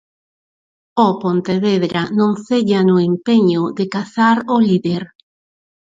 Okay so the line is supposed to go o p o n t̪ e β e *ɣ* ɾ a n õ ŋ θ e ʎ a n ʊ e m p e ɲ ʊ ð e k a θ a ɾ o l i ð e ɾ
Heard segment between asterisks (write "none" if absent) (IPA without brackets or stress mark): ð